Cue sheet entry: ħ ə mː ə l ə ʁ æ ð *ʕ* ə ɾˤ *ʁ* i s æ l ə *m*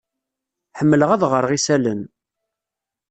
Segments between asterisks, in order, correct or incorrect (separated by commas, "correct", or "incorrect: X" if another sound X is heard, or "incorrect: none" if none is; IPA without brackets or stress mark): incorrect: ʁ, correct, incorrect: n